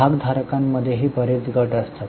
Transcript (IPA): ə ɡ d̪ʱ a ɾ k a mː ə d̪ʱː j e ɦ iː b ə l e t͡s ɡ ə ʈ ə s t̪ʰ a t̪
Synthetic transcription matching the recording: a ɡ d̪ʱ a ɾ k a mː ə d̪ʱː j e ɦ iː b ə ɾ e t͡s ɡ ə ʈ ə s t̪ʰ a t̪

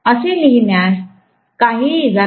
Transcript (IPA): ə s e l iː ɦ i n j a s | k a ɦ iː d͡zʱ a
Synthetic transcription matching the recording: ə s e l i ɦ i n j a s | k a ɦ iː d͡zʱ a

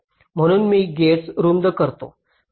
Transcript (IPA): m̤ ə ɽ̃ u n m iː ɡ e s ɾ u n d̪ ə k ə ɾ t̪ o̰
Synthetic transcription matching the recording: m̤ ə ɽ̃ uː n m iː ɡ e s ɾ u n d̪ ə k ə ɾ t̪ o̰

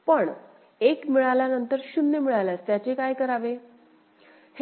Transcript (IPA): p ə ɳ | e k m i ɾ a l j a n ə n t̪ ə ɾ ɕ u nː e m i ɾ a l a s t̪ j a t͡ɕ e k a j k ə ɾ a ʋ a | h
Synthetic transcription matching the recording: p ə ɳ | e k m i ɭ a l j a n ə n t̪ ə ɾ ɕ u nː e m i ɭ a l a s t̪ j a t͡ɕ e k a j k ə ɾ a ʋ e | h

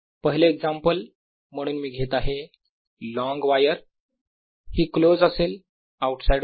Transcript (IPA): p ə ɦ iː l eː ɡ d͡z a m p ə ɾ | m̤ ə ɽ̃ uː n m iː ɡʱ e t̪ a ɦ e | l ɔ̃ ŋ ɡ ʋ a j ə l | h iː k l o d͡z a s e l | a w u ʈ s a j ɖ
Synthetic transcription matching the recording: p ə ɦ i l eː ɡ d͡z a m p ə l | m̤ ə ɽ̃ uː n m iː ɡʱ e t̪ a ɦ e | l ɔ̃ ŋ ɡ ʋ a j ə ɾ | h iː k l o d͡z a s e l | a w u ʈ s a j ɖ

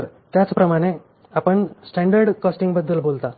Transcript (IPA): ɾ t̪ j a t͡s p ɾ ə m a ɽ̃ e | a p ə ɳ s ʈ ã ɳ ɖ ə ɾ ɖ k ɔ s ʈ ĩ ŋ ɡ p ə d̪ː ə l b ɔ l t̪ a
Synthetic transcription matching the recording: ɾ t̪ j a t͡s p ɾ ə m a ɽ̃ e | a p ə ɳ s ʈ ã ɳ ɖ ə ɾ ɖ k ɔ s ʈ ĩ ŋ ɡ b ə d̪ː ə l b o l t̪ a

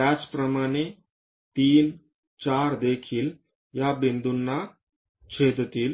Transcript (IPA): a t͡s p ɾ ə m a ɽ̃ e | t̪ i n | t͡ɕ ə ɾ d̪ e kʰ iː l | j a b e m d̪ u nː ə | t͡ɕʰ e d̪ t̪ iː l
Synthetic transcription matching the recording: a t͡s p ɾ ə m a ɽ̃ e | t̪ iː n | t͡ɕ a ɾ d̪ e kʰ iː l | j a b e n d̪ u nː a | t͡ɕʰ e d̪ t̪ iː l

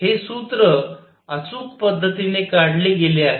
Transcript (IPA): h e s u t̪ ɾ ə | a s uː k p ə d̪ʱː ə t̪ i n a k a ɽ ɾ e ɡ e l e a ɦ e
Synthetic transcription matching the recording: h e s u t̪ ɾ ə | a t͡s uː k p ə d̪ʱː ə t̪ i n e k a ɽ l e ɡ e l e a ɦ e

